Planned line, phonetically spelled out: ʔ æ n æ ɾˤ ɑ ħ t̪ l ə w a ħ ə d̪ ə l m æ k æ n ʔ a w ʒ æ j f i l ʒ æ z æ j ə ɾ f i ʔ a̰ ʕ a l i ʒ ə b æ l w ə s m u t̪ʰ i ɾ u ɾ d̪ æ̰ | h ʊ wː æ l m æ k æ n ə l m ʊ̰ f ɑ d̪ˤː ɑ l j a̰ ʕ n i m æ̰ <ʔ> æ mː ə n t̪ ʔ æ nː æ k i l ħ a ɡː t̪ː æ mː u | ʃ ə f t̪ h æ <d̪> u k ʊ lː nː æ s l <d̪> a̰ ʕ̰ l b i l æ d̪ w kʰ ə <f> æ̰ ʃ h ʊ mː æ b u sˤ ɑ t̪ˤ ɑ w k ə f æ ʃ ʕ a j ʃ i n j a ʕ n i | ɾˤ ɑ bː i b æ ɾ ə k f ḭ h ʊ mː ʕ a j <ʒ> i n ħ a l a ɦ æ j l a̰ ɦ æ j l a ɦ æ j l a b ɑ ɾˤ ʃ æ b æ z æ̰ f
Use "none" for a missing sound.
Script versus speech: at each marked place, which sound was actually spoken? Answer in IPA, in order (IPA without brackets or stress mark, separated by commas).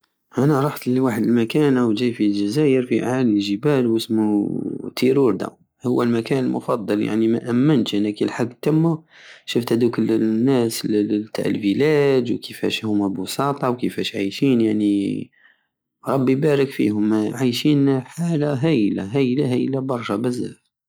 ʔ, d̪, t̪, f, ʃ